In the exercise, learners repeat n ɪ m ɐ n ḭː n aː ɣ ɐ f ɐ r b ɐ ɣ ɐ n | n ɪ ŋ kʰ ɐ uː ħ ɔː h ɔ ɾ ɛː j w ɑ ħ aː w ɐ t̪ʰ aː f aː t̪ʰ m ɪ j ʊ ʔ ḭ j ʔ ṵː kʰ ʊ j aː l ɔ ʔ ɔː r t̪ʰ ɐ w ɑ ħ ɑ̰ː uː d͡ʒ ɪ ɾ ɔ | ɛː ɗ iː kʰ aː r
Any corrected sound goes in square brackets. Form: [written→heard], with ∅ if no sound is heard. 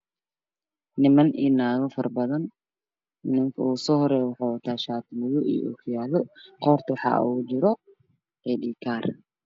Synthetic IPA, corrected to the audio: n ɪ m ɐ n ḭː n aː ɣ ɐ f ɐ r b ɐ [ɣ→ð] ɐ n | n ɪ ŋ kʰ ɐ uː [ħ→s] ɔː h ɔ ɾ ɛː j w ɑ ħ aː w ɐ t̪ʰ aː [f→ʃ] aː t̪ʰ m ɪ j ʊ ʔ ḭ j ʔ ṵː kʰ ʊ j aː l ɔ [ʔ→q] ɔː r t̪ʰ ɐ w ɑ ħ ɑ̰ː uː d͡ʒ ɪ ɾ ɔ | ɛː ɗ iː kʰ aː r